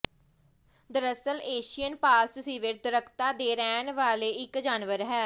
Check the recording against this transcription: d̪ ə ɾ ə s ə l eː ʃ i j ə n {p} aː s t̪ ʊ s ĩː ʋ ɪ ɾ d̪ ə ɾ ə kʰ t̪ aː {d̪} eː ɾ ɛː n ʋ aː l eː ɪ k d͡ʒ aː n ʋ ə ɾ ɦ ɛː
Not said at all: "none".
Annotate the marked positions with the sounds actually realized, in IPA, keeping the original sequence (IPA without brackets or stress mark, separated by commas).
p, d̪